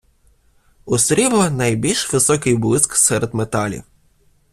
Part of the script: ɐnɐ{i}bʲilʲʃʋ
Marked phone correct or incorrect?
incorrect